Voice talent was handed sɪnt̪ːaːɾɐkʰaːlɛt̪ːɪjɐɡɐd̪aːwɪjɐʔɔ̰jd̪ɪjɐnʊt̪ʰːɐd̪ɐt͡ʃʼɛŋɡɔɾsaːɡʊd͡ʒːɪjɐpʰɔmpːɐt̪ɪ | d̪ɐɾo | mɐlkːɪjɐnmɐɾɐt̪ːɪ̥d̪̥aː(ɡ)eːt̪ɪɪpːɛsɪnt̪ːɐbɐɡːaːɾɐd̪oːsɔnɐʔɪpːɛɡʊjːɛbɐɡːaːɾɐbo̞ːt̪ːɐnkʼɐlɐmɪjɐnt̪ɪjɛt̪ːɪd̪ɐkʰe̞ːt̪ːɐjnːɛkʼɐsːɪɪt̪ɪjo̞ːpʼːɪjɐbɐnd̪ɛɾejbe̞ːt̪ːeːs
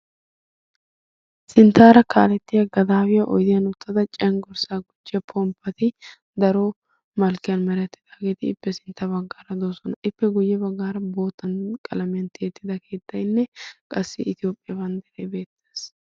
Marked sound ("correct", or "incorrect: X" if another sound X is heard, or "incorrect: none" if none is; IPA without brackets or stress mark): correct